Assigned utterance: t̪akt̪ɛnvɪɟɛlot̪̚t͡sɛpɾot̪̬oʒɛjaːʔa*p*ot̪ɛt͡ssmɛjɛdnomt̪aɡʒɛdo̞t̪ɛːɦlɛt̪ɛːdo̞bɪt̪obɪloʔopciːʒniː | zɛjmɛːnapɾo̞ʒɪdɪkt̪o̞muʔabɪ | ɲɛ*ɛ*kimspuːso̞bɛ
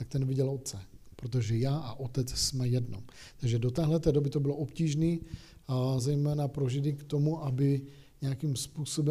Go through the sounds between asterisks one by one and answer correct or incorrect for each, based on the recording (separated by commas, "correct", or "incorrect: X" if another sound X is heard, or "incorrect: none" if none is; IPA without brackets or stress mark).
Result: incorrect: ʔ, incorrect: a